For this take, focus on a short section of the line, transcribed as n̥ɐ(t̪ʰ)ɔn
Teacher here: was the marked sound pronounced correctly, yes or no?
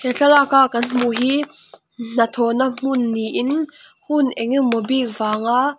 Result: yes